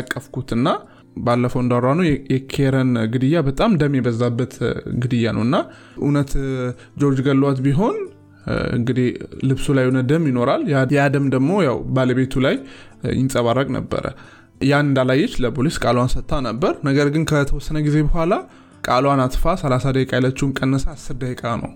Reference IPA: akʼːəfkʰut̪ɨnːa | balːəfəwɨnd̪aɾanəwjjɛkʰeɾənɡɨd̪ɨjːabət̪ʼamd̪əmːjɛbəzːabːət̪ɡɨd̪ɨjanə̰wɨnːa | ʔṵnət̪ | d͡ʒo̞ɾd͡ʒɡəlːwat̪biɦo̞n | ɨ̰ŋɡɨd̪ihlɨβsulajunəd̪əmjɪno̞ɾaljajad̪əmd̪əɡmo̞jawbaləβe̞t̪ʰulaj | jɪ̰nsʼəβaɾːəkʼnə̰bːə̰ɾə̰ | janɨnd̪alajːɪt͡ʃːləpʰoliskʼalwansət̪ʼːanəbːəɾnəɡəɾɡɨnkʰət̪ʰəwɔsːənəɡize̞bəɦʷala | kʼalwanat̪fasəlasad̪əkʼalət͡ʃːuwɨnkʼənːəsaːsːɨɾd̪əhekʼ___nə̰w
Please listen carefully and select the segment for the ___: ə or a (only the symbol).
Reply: a